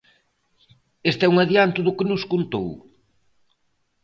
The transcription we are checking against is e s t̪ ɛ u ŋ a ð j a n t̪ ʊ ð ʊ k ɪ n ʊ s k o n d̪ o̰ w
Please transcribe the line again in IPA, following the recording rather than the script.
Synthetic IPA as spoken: e s t̪ ɛ u ŋ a ð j a n t̪ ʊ ð ʊ k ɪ n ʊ s k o n t̪ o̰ w